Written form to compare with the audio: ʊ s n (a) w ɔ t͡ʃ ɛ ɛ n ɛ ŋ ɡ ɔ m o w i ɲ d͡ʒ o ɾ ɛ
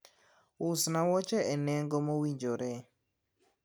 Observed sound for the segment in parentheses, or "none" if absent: a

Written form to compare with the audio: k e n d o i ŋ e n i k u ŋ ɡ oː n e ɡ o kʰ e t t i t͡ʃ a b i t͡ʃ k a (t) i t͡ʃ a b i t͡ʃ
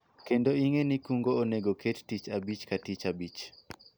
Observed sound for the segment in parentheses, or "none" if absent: t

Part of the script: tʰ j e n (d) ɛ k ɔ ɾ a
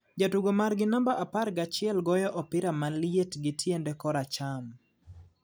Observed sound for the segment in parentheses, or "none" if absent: d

